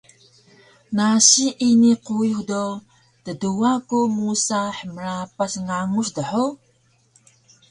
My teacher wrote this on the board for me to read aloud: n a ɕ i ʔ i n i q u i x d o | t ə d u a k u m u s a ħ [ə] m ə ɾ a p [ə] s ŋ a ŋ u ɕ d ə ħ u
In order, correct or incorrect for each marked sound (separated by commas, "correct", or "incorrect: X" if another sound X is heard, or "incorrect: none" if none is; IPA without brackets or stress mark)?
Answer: correct, incorrect: a